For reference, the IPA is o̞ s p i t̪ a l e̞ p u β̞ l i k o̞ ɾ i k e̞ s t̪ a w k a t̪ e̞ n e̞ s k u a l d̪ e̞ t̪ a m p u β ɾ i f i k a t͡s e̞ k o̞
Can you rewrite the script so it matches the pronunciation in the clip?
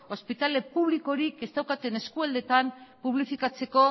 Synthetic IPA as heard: o̞ s p i t̪ a l e̞ p u β̞ l i k o̞ ɾ i k e̞ s t̪ a w k a t̪ e̞ n e̞ s k u a l d̪ e̞ t̪ a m p u β l i f i k a t͡s e̞ k o̞